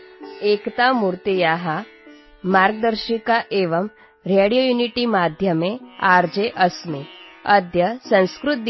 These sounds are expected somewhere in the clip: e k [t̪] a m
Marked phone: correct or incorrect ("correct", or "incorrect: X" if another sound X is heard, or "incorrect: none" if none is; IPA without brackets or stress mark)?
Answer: correct